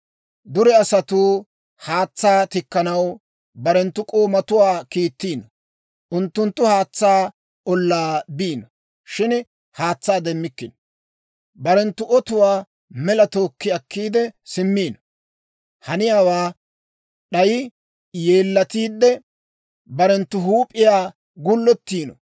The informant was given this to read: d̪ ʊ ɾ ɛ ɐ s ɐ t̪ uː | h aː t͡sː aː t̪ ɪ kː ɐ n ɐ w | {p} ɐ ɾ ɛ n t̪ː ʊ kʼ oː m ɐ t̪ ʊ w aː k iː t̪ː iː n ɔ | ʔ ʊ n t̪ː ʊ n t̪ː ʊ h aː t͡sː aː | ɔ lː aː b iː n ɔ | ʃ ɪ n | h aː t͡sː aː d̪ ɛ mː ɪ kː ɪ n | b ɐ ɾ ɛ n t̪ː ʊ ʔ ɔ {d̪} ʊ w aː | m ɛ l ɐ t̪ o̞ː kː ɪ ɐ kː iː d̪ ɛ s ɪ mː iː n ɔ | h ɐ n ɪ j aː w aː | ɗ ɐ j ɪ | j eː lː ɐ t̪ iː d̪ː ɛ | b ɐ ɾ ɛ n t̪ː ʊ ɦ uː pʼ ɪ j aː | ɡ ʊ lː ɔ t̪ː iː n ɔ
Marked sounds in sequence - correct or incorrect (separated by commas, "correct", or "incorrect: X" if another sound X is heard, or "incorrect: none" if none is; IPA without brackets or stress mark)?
incorrect: b, incorrect: t̪